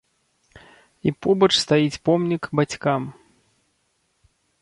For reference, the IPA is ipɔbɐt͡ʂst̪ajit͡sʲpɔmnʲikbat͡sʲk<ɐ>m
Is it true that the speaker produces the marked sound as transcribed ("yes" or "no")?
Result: no